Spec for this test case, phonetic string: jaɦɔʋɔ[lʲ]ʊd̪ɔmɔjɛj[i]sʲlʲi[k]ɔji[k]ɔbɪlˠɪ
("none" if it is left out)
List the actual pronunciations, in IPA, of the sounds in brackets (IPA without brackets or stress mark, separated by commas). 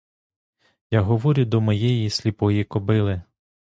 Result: ɾʲ, i, p, k